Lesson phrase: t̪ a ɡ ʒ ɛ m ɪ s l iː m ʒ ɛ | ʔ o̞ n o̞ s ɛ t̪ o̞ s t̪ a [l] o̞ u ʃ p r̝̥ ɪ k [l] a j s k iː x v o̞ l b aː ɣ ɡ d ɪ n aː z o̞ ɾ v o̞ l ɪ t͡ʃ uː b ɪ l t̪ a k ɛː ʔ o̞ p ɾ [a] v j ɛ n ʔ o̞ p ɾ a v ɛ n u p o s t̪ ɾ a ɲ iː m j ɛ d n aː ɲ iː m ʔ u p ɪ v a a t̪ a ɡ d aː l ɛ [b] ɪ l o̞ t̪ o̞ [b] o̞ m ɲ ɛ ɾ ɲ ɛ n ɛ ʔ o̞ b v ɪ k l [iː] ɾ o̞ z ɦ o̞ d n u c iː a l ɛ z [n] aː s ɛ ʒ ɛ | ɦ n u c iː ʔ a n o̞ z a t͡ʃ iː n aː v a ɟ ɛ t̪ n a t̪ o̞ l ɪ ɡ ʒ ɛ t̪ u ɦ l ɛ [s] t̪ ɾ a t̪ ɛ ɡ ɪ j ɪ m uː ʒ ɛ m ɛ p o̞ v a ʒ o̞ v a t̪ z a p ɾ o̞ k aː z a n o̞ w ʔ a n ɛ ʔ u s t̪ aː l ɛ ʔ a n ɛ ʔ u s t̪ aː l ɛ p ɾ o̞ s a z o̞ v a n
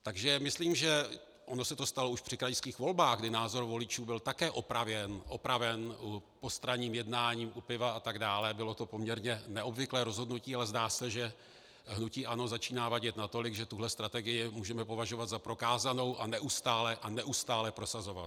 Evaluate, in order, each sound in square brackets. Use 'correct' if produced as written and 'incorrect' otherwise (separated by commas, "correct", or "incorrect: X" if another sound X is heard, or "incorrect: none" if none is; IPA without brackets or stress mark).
correct, incorrect: ɾ, correct, correct, incorrect: p, incorrect: ɛː, incorrect: d, correct